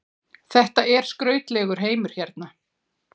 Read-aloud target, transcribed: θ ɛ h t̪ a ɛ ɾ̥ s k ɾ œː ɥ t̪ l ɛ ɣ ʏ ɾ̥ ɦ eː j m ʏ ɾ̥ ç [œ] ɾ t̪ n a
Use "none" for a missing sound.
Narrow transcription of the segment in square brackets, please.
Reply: ɛ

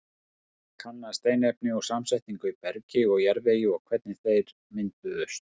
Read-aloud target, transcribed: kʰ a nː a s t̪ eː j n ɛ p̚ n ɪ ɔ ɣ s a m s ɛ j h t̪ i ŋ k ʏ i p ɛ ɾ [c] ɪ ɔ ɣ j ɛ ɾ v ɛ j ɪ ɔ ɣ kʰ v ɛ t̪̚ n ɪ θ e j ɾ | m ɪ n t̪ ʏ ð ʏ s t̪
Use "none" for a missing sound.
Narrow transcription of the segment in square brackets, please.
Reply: c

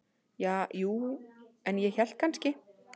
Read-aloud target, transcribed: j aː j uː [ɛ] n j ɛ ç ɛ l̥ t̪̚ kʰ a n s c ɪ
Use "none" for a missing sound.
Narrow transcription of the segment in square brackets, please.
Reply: ɛ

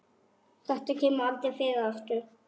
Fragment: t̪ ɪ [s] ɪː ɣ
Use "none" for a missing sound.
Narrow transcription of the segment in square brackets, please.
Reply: f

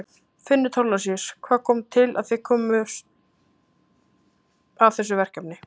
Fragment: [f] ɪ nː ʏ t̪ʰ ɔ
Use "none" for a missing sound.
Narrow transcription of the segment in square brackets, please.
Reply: f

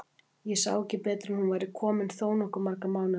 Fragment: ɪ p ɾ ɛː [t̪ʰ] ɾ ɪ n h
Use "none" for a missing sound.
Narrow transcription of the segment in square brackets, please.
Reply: t̪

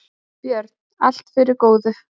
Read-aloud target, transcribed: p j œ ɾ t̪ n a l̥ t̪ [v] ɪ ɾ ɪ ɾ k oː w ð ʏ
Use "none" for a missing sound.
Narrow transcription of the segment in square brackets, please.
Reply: f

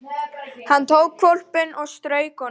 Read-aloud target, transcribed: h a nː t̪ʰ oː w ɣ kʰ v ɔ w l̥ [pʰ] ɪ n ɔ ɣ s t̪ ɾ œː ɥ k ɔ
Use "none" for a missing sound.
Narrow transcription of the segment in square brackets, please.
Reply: p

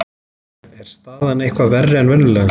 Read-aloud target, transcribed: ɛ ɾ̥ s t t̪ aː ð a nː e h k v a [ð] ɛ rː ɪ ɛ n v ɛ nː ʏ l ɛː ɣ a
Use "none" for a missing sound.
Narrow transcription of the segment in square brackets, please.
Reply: v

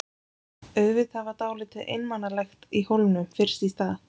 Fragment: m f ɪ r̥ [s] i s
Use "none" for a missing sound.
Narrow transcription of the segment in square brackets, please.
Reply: s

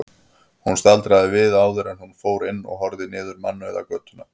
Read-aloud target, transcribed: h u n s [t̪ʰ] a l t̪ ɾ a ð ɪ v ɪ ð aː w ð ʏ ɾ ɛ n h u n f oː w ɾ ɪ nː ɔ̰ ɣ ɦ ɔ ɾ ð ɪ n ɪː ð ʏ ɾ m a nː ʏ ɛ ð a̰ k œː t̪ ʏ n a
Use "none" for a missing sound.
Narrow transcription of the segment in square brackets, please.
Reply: t̪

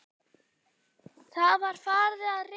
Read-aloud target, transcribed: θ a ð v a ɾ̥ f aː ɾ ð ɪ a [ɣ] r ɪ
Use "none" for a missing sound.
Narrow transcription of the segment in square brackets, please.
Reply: ð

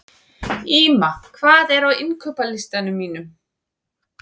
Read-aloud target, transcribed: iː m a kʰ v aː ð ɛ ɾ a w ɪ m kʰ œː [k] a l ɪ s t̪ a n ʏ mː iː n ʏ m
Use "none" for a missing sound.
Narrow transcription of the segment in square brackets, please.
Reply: p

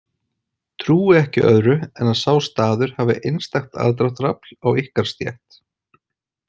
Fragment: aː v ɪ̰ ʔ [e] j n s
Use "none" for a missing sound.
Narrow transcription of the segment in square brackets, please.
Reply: e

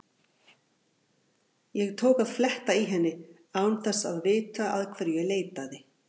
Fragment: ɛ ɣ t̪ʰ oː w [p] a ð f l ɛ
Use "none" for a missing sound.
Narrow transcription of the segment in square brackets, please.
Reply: k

